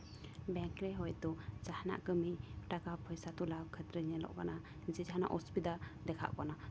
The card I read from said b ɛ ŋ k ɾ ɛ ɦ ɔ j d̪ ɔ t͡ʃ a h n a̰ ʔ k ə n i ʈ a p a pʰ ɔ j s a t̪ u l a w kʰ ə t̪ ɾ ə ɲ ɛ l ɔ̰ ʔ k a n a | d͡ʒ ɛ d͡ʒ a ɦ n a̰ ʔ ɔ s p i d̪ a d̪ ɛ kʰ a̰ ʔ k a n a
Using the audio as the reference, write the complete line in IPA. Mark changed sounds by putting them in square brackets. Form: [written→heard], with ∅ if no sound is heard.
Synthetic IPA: b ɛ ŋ k ɾ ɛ ɦ ɔ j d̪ ɔ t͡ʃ a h n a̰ ʔ k ə [n→m] i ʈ a [p→k] a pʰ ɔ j s a t̪ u l a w kʰ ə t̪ ɾ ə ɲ ɛ l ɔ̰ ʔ k a n a | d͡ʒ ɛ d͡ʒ a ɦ n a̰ ʔ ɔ s p i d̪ a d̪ ɛ kʰ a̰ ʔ k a n a